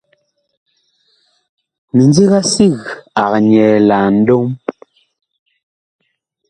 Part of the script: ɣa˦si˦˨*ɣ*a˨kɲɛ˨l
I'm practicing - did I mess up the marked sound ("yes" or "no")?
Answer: no